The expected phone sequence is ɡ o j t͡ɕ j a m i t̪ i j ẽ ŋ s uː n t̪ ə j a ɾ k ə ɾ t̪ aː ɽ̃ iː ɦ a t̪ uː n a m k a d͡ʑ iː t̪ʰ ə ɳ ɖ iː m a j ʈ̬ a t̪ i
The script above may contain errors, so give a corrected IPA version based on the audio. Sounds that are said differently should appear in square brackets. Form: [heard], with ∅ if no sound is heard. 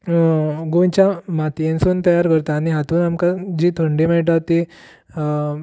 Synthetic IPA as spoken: ɡ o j t͡ɕ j a m [a] t̪ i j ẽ [n] s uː n t̪ ə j a ɾ k ə ɾ t̪ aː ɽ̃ [i] ɦ a t̪ uː n a m k a d͡ʑ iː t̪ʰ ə ɳ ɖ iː m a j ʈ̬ a t̪ i